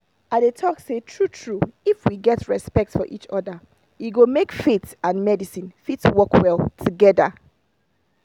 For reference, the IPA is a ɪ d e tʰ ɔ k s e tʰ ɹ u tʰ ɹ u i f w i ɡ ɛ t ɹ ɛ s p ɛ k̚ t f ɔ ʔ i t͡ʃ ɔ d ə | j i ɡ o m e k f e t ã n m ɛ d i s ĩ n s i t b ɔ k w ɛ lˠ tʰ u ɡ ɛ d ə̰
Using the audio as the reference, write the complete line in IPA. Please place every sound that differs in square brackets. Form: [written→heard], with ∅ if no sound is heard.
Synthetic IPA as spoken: a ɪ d e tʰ ɔ k s e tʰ ɹ u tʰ ɹ u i f w i ɡ ɛ t ɹ ɛ s p ɛ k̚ t f ɔ ʔ i t͡ʃ ɔ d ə | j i ɡ o m e k f e t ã n m ɛ d i s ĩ n [s→f] i t [b→w] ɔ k w ɛ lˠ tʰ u ɡ ɛ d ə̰